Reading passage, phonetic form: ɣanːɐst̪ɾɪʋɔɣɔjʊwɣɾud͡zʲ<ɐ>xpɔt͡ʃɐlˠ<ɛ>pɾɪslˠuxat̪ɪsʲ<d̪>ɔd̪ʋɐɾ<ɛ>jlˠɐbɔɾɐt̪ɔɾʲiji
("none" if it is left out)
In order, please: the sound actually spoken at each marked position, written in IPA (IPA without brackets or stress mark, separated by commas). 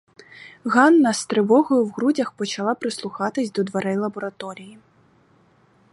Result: ɐ, a, d̪, ɛ